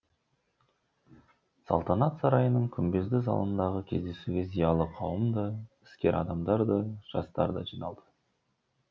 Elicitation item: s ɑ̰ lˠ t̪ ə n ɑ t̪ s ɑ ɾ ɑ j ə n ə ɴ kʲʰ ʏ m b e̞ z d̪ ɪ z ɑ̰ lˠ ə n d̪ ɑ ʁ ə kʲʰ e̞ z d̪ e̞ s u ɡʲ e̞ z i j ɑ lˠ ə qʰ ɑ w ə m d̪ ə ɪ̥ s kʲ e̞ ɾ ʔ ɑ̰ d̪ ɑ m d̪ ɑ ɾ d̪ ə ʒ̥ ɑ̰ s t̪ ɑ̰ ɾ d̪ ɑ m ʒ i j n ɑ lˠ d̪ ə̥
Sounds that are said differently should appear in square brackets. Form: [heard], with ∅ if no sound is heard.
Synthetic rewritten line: s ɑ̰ lˠ t̪ [ɑ] n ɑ t̪ s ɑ ɾ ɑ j ə n ə ɴ kʲʰ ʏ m b e̞ z d̪ ɪ z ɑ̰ lˠ ə n d̪ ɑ ʁ ə kʲʰ e̞ z d̪ e̞ s u ɡʲ e̞ z i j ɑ lˠ ə qʰ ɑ w ə m d̪ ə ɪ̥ s kʲ e̞ ɾ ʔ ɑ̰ d̪ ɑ m d̪ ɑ ɾ d̪ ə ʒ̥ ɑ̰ s t̪ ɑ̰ ɾ d̪ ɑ [∅] ʒ i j n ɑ lˠ d̪ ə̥